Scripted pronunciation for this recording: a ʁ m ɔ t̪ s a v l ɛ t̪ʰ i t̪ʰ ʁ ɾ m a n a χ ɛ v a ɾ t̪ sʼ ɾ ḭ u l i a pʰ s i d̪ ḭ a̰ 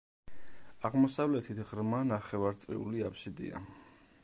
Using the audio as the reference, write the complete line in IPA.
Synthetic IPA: a ʁ m ɔ s a v l ɛ t̪ʰ i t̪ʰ ʁ ɾ m a n a χ ɛ v a ɾ t̪ sʼ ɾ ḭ u l i a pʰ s i d̪ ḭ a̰